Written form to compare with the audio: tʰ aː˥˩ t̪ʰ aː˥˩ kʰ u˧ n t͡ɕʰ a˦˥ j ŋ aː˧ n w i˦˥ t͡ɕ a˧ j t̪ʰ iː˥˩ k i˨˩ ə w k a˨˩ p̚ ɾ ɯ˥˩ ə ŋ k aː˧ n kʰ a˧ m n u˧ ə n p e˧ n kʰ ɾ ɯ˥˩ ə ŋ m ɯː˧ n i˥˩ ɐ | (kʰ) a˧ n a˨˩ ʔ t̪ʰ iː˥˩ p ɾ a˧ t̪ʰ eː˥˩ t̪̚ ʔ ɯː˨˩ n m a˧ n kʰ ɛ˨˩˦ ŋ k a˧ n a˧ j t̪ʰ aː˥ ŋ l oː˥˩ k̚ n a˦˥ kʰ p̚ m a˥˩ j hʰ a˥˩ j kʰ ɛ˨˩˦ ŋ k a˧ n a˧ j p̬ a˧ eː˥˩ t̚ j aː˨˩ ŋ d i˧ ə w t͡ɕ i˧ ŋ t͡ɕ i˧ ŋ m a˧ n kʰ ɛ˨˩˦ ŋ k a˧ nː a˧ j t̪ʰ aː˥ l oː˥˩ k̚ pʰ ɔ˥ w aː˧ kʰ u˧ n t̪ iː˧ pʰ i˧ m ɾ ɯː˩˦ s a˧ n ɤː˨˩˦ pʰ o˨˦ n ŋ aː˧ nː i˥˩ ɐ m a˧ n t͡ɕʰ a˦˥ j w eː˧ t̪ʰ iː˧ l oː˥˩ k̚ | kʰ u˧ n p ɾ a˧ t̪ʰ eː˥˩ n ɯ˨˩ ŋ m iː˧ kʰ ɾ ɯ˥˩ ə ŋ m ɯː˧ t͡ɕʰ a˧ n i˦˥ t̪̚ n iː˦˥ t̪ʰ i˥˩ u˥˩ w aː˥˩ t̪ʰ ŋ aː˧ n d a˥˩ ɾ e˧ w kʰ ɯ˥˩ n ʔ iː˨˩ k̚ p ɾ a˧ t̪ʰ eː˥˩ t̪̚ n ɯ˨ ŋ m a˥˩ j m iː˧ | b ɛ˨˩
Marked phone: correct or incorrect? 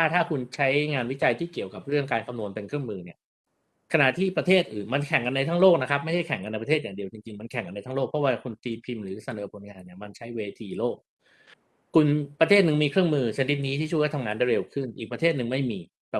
correct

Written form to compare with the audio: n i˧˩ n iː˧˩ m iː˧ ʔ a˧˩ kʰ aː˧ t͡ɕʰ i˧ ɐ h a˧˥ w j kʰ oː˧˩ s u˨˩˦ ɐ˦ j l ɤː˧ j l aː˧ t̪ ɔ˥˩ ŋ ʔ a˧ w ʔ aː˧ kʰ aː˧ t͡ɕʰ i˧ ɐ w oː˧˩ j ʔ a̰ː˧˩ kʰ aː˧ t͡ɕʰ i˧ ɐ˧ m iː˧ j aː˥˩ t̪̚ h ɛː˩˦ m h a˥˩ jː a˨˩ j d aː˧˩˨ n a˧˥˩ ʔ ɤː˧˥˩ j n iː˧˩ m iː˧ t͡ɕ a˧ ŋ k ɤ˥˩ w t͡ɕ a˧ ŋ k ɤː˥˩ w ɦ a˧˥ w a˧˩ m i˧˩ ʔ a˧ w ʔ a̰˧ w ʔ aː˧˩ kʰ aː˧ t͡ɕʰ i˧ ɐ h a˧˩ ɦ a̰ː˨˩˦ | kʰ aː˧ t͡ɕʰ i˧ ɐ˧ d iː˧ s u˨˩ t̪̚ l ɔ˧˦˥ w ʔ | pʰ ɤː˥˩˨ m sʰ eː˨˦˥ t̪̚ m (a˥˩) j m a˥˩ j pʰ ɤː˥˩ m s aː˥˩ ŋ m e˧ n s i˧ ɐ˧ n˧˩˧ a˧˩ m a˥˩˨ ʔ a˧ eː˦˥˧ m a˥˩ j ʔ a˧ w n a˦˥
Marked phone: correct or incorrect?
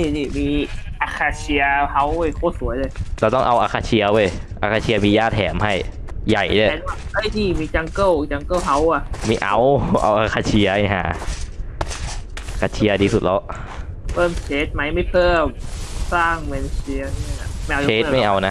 incorrect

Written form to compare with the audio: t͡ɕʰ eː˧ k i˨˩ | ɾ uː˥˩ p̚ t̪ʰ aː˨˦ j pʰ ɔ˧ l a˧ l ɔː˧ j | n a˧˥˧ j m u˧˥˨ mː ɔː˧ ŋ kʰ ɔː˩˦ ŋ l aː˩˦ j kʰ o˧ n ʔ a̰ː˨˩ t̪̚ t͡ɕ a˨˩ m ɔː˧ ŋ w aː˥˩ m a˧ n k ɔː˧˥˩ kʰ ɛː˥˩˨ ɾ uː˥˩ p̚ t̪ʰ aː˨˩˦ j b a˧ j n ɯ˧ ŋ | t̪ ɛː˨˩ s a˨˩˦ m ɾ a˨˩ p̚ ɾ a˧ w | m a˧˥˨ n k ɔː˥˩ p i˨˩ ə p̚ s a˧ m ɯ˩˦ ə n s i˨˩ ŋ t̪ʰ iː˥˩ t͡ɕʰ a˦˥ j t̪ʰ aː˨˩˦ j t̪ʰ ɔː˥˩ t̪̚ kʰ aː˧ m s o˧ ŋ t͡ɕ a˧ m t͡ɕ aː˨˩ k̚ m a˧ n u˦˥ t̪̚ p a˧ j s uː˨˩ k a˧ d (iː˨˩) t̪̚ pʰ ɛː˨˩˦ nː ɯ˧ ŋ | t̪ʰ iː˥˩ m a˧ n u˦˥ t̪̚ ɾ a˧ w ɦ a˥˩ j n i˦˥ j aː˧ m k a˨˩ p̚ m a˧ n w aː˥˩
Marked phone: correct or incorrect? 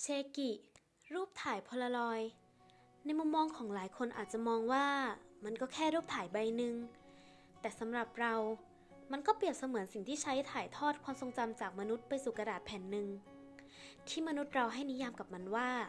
incorrect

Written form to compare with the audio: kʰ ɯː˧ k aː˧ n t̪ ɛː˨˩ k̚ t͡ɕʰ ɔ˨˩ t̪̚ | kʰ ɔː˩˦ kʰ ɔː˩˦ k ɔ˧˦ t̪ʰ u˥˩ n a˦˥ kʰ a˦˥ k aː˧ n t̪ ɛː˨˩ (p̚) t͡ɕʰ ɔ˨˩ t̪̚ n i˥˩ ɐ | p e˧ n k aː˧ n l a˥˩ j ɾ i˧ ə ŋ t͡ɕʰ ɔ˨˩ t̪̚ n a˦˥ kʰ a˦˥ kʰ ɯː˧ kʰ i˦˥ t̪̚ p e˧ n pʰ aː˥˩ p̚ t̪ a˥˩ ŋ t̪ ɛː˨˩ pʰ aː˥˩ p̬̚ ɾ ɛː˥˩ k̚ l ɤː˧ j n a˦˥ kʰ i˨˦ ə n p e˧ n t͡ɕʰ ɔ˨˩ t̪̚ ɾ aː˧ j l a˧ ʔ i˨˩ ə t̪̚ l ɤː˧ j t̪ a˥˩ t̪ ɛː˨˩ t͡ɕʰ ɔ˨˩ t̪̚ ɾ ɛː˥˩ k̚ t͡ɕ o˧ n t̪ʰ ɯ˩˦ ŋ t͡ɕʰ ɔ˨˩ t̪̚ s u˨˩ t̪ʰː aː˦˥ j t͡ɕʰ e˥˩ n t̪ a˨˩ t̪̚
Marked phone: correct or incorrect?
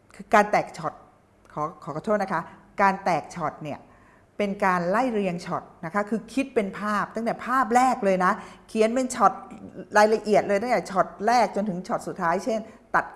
incorrect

